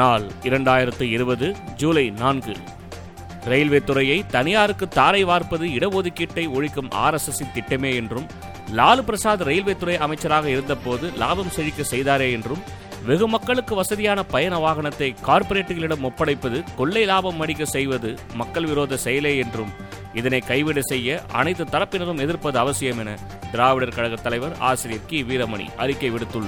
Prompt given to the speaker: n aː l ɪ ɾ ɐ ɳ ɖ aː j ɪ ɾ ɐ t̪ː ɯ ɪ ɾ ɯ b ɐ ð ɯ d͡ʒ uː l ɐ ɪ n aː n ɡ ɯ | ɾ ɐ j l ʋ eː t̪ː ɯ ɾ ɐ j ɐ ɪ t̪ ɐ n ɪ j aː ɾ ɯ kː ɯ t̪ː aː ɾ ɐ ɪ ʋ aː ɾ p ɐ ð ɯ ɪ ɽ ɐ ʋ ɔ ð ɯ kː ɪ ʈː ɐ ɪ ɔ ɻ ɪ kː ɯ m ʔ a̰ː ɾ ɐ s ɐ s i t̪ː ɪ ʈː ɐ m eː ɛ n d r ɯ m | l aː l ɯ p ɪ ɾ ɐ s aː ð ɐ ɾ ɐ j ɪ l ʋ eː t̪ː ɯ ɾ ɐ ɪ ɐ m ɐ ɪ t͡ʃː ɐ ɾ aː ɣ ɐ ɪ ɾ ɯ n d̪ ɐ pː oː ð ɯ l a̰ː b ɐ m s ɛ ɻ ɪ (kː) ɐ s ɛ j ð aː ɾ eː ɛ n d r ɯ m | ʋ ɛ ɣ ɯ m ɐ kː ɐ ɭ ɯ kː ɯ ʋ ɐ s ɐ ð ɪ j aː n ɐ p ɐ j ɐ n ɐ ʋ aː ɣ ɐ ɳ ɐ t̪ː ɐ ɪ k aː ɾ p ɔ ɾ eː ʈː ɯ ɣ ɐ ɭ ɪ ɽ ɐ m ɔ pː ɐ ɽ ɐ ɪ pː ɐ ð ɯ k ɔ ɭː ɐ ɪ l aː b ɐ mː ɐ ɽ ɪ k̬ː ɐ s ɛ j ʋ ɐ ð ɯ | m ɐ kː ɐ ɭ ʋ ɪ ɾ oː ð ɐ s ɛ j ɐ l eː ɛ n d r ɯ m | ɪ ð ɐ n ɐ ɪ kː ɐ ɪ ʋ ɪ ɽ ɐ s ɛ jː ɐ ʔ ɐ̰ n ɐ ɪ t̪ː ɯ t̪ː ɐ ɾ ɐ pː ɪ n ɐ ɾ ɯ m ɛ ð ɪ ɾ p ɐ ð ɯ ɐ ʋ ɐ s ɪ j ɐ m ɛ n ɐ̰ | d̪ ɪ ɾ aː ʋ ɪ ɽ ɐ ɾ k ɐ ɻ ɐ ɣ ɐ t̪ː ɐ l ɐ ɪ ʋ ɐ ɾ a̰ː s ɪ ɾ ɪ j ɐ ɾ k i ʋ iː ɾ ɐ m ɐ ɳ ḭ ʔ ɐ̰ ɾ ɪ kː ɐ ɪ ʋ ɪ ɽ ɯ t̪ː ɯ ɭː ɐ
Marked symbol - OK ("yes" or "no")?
yes